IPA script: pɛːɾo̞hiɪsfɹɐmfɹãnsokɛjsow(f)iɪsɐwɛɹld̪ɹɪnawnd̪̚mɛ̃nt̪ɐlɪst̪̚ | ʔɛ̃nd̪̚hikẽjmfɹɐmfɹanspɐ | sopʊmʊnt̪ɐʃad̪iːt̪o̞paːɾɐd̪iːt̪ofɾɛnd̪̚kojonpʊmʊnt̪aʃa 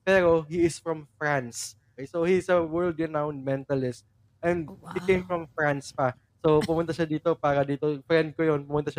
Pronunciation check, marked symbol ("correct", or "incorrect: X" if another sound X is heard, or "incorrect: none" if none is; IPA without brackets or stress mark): incorrect: h